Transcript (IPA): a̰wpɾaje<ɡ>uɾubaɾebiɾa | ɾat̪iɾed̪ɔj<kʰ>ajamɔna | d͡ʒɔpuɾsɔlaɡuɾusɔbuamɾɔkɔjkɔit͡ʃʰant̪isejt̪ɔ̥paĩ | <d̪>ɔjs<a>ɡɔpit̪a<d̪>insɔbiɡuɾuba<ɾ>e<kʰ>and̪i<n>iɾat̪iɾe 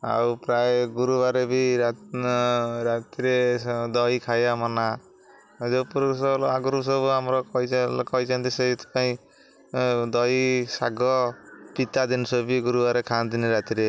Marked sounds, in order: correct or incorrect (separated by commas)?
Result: correct, correct, correct, correct, correct, correct, correct, correct